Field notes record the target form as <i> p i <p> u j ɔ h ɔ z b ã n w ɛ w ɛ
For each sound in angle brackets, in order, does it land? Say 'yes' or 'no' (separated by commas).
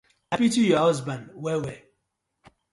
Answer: no, no